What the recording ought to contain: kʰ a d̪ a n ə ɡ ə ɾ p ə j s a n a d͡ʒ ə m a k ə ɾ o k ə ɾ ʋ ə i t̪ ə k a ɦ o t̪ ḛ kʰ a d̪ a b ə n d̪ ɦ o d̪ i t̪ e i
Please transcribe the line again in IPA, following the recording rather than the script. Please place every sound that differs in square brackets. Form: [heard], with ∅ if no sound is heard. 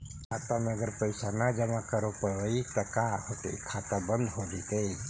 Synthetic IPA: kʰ a [t̪] a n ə ɡ ə ɾ p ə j s a n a d͡ʒ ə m a k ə ɾ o [p] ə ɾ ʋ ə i t̪ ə k a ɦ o t̪ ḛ kʰ a [t̪] a b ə n d̪ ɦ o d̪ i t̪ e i